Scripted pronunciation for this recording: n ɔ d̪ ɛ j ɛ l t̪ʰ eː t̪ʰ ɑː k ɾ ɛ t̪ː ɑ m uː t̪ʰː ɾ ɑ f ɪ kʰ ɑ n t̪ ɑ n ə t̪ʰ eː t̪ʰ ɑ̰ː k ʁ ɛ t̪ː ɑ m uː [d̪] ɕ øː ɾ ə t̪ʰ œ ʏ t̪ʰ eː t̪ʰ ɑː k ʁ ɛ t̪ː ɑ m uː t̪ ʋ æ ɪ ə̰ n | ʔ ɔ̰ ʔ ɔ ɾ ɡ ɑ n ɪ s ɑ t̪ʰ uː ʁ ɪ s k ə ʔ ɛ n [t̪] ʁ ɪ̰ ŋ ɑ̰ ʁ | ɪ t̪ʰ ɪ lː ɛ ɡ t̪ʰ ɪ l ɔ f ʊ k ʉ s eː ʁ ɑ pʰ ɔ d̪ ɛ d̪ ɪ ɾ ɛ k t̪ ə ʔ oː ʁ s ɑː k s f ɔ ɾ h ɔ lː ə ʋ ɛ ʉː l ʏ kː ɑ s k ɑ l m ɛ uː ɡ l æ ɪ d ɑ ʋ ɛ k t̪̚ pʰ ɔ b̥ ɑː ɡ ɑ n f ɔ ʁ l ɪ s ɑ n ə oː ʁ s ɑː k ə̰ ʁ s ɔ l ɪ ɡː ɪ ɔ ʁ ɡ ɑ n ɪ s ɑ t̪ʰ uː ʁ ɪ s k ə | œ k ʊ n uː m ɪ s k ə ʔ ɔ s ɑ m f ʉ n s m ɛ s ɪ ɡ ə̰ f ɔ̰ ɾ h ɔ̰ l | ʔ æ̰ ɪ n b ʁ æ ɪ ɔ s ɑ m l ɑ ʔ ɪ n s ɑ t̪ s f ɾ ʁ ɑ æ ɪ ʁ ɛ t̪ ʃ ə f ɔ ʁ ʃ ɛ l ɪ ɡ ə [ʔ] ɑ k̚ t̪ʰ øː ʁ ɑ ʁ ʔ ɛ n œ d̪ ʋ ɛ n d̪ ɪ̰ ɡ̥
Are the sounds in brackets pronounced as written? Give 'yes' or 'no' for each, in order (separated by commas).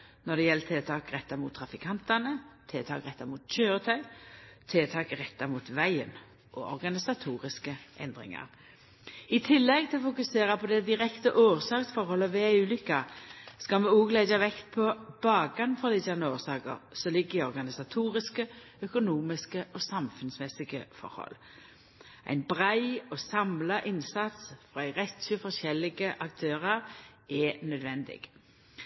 no, no, yes